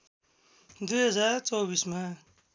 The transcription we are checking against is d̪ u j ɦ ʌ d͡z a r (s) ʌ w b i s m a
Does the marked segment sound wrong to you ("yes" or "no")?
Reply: yes